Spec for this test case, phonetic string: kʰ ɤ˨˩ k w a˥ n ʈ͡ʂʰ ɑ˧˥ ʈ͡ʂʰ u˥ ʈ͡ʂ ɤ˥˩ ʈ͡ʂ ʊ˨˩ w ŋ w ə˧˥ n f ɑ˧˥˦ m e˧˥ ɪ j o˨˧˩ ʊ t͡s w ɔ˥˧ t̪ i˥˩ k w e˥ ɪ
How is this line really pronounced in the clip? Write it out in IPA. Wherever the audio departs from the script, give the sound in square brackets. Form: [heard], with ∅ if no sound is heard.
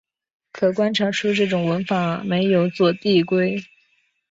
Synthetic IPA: kʰ ɤ˨˩ k w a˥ n ʈ͡ʂʰ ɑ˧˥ ʈ͡ʂʰ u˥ ʈ͡ʂ ɤ˥˩ ʈ͡ʂ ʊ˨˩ [∅] ŋ w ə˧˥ n f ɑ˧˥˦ m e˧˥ ɪ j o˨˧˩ ʊ t͡s w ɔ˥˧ t̪ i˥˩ k w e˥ ɪ